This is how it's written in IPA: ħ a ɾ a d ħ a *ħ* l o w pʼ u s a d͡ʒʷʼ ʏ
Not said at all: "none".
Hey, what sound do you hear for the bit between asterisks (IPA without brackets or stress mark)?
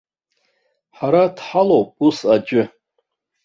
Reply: none